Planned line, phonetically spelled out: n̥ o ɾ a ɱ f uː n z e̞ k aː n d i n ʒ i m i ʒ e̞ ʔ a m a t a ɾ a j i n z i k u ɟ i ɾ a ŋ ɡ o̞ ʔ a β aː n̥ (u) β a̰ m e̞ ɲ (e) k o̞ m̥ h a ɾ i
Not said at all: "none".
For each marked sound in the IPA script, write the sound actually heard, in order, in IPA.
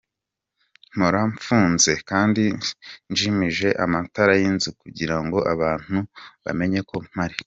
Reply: u, e

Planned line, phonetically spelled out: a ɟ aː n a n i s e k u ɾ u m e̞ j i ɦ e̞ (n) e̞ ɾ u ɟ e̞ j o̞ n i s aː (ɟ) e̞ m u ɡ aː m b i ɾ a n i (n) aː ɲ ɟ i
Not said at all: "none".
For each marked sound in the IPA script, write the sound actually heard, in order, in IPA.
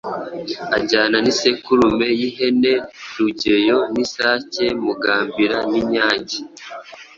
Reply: n, c, ɲ

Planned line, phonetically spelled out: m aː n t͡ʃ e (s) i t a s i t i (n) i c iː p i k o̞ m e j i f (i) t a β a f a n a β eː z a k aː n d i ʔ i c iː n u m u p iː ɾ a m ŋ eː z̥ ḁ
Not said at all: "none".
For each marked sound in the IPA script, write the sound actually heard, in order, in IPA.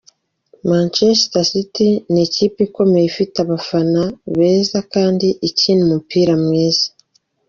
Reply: s, n, i

